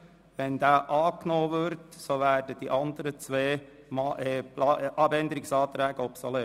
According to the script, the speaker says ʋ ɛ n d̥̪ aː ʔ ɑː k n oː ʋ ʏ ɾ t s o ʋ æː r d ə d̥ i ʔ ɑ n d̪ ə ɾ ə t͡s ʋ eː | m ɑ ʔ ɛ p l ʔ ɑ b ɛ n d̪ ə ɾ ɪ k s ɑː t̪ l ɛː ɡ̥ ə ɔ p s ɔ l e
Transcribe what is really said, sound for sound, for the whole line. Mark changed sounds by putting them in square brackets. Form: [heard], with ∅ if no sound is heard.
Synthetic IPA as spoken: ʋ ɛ n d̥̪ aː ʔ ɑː k n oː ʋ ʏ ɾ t s o ʋ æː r d ə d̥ i ʔ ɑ n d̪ ə ɾ ə t͡s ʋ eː | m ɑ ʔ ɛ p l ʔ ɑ b ɛ n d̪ ə ɾ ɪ k s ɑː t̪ [ɾ] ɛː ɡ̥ ə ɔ p s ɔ l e